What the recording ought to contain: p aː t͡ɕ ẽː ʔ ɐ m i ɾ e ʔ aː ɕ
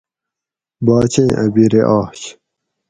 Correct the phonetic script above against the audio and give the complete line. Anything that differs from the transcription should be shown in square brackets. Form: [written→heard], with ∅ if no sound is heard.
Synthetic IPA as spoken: [p→b] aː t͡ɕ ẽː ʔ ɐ [m→b] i ɾ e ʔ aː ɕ